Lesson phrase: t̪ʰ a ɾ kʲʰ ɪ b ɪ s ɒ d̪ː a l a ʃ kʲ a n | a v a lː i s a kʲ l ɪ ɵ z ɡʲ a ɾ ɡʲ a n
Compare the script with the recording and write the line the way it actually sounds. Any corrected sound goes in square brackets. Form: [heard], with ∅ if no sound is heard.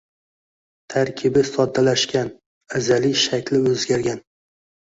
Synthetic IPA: t̪ʰ a ɾ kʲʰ ɪ b ɪ s ɒ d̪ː a l a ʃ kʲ a n | a [z] a [l] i [ʃ] a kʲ l ɪ ɵ z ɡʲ a ɾ ɡʲ a n